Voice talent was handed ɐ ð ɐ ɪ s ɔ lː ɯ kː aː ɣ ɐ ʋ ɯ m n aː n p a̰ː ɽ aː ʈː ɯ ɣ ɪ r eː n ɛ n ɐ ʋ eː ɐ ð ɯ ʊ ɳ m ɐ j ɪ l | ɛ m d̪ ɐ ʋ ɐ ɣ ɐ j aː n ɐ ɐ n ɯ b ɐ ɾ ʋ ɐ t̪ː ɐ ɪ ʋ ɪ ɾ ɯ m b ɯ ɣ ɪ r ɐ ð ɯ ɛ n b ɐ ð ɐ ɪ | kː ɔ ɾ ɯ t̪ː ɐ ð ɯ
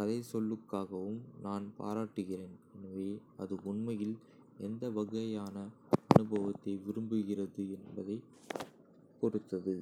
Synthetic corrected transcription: ɐ ð ɐ ɪ s ɔ lː ɯ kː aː ɣ ɐ ʋ ɯ m n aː n p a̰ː ɾ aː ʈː ɯ ɣ ɪ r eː n ɛ n ɐ ʋ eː ɐ ð ɯ ʊ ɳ m ɐ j ɪ l | ɛ n d̪ ɐ ʋ ɐ ɣ ɐ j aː n ɐ ɐ n ɯ b ɐ ʋ ɐ t̪ː ɐ ɪ ʋ ɪ ɾ ɯ m b ɯ ɣ ɪ r ɐ ð ɯ ɛ n b ɐ ð ɐ ɪ | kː ɔ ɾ ɯ t̪ː ɐ ð ɯ

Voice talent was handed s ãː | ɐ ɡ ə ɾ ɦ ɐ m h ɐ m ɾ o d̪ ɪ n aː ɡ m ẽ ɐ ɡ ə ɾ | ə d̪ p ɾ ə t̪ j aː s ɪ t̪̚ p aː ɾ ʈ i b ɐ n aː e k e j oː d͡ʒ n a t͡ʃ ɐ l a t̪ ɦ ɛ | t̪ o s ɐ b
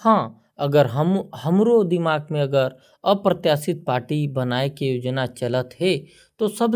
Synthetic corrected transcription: h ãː | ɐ ɡ ə ɾ ɦ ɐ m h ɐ m ɾ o d̪ ɪ m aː ɡ m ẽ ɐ ɡ ə ɾ | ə p ɾ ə t̪ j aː s ɪ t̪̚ p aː ɾ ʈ i b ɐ n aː e k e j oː d͡ʒ n a t͡ʃ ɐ l ə t̪ ɦ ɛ | t̪ o s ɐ b

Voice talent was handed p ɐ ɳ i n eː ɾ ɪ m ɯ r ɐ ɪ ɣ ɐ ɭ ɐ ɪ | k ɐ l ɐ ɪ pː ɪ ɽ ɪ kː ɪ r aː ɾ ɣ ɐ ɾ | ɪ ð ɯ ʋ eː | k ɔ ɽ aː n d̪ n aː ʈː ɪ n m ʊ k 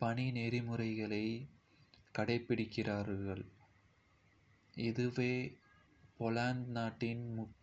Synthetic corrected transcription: p ɐ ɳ i n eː ɾ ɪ m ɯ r ɐ ɪ ɣ ɐ ɭ ɐ ɪ | k ɐ ɽ ɐ ɪ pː ɪ ɽ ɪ kː ɪ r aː ɾ ɣ ɐ ɭ | ɪ ð ɯ ʋ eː | p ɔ l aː n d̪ n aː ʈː ɪ n m ʊ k

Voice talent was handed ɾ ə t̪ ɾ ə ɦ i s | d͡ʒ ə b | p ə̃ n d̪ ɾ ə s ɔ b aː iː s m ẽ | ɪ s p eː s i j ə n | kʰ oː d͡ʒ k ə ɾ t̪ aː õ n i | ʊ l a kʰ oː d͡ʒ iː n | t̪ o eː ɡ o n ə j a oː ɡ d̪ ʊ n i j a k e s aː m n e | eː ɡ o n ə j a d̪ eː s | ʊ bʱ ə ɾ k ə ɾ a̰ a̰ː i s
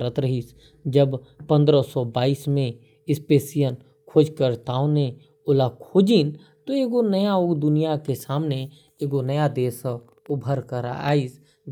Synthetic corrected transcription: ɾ ə t̪ ɾ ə ɦ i s | d͡ʒ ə b | p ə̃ n d̪ ɾ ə s ɔ b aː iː s m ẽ | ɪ s p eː s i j ə n | kʰ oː d͡ʒ k ə ɾ t̪ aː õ n e | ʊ l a kʰ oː d͡ʒ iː n | t̪ o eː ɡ o n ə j a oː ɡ d̪ ʊ n i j a k e s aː m n e | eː ɡ o n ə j a d̪ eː s | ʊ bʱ ə ɾ k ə ɾ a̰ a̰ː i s

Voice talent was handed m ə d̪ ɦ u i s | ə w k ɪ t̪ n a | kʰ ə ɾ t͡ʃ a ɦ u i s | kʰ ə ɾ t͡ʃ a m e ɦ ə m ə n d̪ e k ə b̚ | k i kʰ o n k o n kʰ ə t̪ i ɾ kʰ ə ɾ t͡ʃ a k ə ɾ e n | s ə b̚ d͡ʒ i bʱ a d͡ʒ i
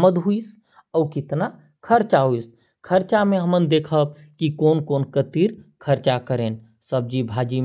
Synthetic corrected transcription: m ə d̪ ɦ u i s | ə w k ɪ t̪ n a | kʰ ə ɾ t͡ʃ a ɦ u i s | kʰ ə ɾ t͡ʃ a m e ɦ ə m ə n d̪ e kʰ ə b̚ | k i k o n k o n k ə t̪ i ɾ kʰ ə ɾ t͡ʃ a k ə ɾ e n | s ə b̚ d͡ʒ i bʱ a d͡ʒ i

